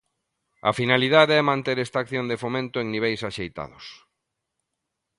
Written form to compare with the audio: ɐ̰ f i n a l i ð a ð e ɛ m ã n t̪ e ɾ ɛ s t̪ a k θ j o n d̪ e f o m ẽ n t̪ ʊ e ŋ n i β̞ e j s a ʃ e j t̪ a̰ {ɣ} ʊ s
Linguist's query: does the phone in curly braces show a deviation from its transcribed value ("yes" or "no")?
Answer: yes